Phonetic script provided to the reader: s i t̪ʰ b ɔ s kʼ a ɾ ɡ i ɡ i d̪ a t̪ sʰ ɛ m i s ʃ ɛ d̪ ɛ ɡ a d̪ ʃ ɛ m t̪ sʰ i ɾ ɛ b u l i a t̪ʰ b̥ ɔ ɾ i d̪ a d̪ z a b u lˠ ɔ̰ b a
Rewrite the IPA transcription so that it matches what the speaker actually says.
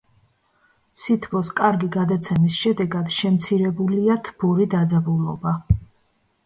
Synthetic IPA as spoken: s i t̪ʰ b ɔ s kʼ a ɾ ɡ i ɡ a d̪ a t̪ sʰ ɛ m i s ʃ ɛ d̪ ɛ ɡ a d̪ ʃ ɛ m t̪ sʰ i ɾ ɛ b u l i a t̪ʰ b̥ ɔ ɾ i d̪ a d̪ z a b u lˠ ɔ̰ b a